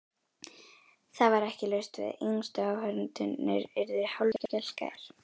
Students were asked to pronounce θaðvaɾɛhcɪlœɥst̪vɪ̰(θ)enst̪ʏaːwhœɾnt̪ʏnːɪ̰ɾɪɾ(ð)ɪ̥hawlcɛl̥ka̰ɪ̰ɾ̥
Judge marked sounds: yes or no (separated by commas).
no, yes